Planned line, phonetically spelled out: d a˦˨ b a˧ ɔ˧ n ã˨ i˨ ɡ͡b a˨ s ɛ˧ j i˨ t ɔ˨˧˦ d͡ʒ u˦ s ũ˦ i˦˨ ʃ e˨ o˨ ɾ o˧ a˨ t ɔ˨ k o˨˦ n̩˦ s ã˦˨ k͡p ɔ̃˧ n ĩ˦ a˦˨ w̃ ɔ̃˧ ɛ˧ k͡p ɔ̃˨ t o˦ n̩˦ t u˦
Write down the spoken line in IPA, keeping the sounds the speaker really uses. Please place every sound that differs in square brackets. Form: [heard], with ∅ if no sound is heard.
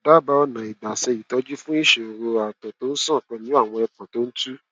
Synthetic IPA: d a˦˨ b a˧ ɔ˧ n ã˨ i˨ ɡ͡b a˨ s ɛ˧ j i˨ t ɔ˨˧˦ d͡ʒ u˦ [f] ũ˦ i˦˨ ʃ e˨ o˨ ɾ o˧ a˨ t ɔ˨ [t] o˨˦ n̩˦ s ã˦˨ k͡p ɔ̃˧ n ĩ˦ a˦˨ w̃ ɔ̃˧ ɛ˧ k͡p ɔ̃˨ t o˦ n̩˦ t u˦